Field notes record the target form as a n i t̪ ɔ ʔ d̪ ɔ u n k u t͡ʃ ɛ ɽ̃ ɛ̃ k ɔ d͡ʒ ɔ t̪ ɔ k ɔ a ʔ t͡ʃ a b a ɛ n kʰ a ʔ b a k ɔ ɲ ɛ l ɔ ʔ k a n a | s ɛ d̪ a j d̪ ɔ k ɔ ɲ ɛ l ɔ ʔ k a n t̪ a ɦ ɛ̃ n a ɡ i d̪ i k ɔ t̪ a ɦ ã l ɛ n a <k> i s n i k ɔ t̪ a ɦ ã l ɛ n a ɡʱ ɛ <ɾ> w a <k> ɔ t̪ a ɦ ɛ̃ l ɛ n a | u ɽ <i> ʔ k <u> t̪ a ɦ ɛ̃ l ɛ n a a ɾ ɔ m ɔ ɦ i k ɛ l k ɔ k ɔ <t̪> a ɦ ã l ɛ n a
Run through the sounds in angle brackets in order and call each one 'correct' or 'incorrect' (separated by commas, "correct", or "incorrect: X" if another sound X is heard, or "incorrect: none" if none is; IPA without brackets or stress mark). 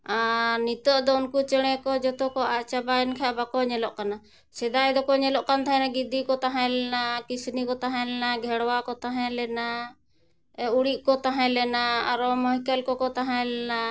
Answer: correct, incorrect: ɽ, correct, correct, incorrect: ɔ, correct